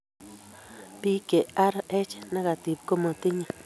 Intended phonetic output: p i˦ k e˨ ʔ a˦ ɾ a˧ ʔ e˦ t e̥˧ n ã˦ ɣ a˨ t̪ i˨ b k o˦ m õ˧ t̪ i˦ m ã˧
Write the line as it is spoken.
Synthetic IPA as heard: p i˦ k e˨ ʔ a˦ ɾ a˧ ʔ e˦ t͡ʃ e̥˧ n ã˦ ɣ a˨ t̪ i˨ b k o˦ m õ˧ t̪ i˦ ɲ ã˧